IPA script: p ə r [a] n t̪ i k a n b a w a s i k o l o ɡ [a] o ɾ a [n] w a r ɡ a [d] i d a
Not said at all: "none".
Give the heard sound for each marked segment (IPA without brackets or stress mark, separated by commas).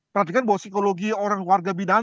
a, i, ŋ, b